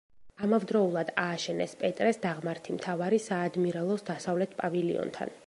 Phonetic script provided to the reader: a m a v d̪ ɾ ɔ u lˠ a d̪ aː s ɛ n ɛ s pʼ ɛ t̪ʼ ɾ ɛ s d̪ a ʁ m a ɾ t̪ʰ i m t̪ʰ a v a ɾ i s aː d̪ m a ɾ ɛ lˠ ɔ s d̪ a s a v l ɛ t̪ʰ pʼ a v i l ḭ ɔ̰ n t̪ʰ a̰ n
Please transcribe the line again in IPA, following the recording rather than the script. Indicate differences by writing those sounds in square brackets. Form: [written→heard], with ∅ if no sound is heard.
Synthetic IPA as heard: a m a v d̪ ɾ ɔ u lˠ a d̪ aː [s→ʃ] ɛ n ɛ s pʼ ɛ t̪ʼ ɾ ɛ s d̪ a ʁ m a ɾ t̪ʰ i m t̪ʰ a v a ɾ i s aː d̪ m [a→i] ɾ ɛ lˠ ɔ s d̪ a s a v l ɛ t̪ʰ pʼ a v i l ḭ ɔ̰ n t̪ʰ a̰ n